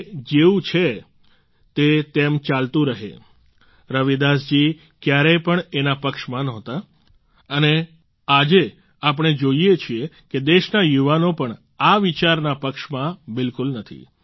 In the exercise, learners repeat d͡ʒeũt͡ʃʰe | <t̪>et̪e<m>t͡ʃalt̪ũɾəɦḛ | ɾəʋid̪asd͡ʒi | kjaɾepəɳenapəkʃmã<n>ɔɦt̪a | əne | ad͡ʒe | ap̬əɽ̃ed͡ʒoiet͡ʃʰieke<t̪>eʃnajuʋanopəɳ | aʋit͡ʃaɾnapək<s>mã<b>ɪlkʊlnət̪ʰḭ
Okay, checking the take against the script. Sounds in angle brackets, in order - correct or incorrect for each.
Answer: correct, correct, correct, incorrect: d̪, incorrect: ʃ, correct

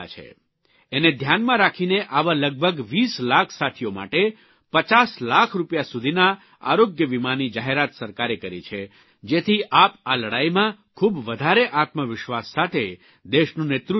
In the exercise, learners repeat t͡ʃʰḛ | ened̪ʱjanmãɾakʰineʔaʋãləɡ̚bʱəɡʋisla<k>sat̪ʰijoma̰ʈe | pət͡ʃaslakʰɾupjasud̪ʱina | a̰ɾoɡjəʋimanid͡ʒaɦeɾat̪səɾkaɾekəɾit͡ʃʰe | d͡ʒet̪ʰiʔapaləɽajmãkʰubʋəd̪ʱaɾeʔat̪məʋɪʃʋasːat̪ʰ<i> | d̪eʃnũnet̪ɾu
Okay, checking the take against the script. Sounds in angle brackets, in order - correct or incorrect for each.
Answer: incorrect: kʰ, incorrect: e

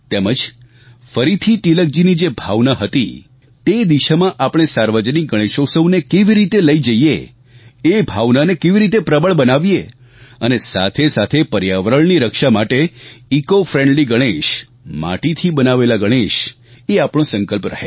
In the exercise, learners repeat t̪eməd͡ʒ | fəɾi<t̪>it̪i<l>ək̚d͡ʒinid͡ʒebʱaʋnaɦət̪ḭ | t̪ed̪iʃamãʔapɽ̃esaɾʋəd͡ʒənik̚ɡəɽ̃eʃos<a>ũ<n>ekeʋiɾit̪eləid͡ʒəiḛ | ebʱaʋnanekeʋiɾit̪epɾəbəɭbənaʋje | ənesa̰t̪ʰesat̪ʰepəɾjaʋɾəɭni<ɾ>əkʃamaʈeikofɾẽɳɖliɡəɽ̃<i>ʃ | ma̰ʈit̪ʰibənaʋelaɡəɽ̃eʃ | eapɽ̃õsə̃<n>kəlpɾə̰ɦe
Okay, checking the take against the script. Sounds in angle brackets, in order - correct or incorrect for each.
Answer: incorrect: t̪ʰ, correct, incorrect: ə, correct, correct, incorrect: e, incorrect: ŋ

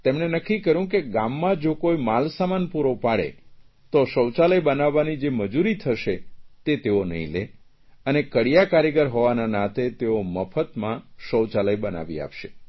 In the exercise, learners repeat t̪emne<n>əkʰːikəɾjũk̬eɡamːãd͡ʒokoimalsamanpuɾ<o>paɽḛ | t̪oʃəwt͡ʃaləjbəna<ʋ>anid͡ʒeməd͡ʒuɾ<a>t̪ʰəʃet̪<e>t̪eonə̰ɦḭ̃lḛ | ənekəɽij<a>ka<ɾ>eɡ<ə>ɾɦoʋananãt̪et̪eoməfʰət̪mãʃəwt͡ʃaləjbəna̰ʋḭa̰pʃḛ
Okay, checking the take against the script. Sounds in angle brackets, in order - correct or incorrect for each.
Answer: correct, correct, incorrect: ʋː, incorrect: i, correct, correct, correct, correct

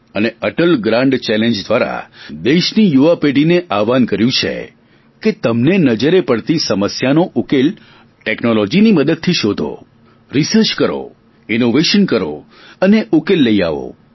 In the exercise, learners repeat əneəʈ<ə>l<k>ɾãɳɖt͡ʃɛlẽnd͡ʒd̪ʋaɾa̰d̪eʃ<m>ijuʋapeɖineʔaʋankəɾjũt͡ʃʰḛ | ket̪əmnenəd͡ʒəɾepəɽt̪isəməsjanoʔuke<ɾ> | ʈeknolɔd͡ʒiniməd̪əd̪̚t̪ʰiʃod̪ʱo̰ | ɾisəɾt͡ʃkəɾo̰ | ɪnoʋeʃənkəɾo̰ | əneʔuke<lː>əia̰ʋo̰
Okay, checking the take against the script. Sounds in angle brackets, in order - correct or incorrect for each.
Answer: correct, incorrect: ɡ, incorrect: n, incorrect: l, correct

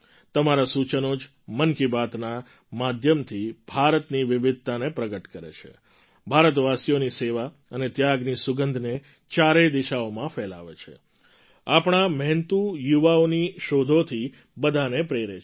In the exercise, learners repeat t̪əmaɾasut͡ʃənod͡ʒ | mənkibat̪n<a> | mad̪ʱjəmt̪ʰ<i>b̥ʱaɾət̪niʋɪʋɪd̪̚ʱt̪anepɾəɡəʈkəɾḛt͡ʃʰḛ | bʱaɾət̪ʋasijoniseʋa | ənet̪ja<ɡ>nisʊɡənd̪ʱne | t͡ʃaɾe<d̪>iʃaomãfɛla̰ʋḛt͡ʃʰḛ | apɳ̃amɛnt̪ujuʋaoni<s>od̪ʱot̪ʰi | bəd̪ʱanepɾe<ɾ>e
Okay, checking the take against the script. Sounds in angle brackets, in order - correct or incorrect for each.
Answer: correct, correct, correct, correct, incorrect: ʃ, correct

